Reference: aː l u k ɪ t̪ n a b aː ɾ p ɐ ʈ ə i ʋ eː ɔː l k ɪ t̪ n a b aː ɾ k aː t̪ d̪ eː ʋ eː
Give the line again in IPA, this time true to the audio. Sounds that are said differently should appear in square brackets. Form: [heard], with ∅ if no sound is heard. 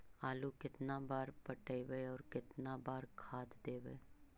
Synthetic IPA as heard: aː l u k ɪ t̪ n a b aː ɾ p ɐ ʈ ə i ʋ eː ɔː [ɾ] k ɪ t̪ n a b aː ɾ [kʰ] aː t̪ d̪ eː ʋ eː